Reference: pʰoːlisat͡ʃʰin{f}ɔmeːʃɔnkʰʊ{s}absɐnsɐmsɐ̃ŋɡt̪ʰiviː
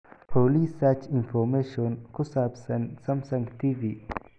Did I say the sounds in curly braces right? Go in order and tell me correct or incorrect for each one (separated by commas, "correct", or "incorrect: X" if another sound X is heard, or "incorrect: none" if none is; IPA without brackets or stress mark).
correct, correct